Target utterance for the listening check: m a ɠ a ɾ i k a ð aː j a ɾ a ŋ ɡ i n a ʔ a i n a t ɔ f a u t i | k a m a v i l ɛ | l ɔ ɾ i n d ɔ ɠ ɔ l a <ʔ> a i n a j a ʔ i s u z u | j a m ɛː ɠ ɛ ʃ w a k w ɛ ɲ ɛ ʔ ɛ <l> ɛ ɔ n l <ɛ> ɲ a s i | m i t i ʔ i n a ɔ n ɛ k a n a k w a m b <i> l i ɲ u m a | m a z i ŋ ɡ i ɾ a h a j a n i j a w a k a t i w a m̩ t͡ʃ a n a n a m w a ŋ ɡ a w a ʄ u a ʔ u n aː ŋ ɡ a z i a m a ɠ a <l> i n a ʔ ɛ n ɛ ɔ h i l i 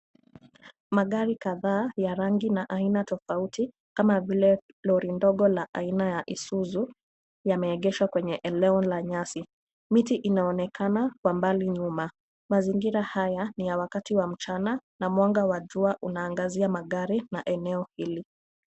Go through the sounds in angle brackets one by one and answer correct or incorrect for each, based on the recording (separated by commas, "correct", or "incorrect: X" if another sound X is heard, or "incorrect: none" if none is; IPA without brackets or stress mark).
correct, correct, incorrect: a, incorrect: a, incorrect: ɾ